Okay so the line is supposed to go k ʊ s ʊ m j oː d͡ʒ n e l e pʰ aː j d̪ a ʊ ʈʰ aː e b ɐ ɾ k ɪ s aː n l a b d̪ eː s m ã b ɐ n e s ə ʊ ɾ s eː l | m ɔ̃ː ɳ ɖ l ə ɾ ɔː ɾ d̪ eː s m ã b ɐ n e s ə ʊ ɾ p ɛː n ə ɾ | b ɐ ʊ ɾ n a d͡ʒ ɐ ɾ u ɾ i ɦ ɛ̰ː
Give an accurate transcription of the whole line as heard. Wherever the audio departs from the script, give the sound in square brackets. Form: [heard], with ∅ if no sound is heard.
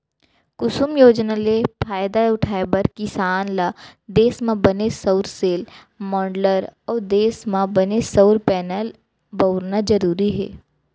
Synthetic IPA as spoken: k ʊ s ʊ m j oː d͡ʒ n [a] l e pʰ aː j d̪ a ʊ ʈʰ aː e b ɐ ɾ k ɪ s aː n l a [∅] d̪ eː s m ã b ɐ n e s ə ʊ ɾ s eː l | m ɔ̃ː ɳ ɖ l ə ɾ ɔː ɾ d̪ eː s m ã b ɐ n e s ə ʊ ɾ p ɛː n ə [l] | b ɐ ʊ ɾ n a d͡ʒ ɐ ɾ [uː] ɾ i ɦ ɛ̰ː

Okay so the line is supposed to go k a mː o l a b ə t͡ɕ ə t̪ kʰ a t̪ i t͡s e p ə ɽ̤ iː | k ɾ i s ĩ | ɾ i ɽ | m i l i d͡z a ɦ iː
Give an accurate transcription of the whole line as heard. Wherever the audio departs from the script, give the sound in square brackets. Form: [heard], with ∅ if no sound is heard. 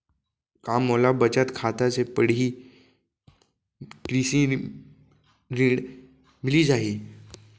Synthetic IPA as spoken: k a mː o l a b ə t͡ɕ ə t̪ kʰ a t̪ [a] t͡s e p ə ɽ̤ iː | k ɾ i s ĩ | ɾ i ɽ | m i l i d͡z a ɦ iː

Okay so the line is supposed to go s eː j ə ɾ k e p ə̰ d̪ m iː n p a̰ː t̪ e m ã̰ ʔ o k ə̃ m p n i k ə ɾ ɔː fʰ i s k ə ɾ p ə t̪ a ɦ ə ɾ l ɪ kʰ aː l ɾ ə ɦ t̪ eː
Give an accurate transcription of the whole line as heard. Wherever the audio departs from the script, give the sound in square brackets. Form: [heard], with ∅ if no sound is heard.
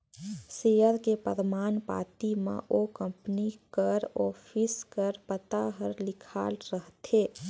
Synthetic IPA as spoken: s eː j ə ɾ k e p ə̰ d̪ m [aː] n p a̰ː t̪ [i] m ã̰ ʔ o k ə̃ m p n i k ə ɾ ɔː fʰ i s k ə ɾ p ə t̪ a ɦ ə ɾ l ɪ kʰ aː l ɾ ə ɦ t̪ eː

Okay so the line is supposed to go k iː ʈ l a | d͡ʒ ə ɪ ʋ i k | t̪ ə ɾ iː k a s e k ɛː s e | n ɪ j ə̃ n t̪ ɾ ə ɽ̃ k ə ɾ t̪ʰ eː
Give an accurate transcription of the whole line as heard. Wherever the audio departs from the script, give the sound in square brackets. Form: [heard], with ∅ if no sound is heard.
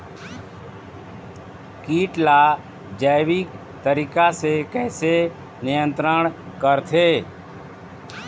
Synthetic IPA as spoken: k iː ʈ l a | d͡ʒ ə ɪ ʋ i k | t̪ ə ɾ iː k a s e k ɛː s e | n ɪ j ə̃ n t̪ ɾ ə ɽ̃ k ə ɾ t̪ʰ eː

